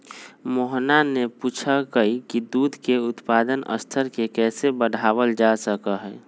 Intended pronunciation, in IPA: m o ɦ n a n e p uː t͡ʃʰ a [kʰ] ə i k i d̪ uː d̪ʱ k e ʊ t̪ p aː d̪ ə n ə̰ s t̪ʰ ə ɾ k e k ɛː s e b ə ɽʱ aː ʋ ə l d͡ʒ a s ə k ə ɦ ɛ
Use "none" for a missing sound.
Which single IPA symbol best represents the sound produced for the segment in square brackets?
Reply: k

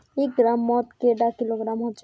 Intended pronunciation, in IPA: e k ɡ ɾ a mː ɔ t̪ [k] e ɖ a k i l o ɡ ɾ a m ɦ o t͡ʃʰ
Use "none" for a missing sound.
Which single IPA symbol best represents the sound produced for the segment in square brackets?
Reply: k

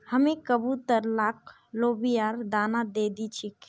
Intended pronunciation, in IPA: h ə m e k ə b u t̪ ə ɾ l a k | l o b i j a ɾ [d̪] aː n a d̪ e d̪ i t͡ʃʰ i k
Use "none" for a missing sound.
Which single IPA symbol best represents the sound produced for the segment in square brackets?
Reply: d̪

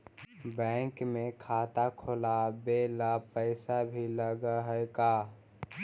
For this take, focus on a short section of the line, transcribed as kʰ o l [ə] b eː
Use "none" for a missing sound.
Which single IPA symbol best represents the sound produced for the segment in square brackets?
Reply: a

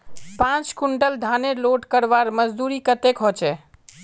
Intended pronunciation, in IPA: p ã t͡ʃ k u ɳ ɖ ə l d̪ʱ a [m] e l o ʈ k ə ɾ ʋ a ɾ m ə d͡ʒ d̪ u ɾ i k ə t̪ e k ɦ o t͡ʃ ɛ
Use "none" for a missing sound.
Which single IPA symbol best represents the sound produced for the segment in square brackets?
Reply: n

